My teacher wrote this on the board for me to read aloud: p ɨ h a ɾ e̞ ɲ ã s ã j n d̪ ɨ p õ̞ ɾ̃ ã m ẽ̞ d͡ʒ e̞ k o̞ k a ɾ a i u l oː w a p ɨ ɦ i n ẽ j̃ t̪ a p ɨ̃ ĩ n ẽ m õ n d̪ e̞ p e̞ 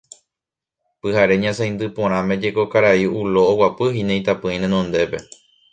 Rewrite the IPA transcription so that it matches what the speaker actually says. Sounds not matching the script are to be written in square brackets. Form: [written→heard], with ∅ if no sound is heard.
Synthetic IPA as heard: p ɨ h a ɾ e̞ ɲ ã s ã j n d̪ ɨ p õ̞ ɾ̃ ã m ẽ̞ d͡ʒ e̞ k o̞ k a ɾ a i u l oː w a p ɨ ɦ i n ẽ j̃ t̪ a p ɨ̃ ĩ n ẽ [m→n] õ n d̪ e̞ p e̞